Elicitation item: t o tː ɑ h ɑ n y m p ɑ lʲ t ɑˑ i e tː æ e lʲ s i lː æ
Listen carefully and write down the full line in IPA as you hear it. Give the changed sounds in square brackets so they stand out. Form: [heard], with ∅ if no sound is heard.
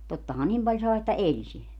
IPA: t o tː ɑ h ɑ n [i] m p ɑ lʲ [s] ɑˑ [e] e tː æ e lʲ s i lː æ